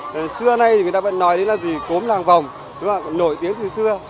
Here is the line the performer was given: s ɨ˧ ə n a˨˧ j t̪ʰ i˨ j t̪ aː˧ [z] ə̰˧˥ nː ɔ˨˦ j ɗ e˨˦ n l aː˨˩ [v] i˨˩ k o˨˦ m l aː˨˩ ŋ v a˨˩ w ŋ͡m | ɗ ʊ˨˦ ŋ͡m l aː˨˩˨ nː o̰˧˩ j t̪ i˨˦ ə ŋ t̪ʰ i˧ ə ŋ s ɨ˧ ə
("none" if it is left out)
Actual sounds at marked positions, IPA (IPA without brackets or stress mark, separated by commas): v, z